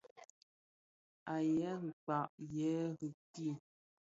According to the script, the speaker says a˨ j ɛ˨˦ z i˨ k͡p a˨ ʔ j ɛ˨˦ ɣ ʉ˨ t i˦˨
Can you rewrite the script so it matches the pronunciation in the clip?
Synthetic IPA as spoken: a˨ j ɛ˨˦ ɣ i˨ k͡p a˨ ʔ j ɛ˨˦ ɣ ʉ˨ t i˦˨